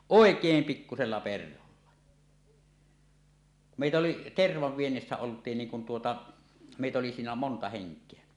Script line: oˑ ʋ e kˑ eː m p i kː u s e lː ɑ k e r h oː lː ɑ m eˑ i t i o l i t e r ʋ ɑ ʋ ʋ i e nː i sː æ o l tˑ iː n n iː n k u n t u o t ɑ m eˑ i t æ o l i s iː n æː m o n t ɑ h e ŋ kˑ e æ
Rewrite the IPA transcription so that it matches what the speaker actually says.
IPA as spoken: oˑ e kˑ eː m p i kː u s e lː ɑ p e r h o lː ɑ m eˑ i t æ o l i t e r ʋ ɑ ʋ ʋ i e nː i sː æ o l tˑ iː n n iː ŋ k u n t u o t ɑ m eˑ i t æ o l i s iː n æ m o n t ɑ h e ŋ kˑ e æ